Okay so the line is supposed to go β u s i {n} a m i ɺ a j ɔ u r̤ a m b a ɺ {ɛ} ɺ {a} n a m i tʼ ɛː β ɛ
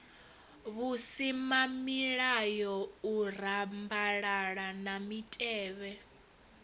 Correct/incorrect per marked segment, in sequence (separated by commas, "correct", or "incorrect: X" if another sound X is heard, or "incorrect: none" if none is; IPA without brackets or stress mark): incorrect: m, incorrect: a, correct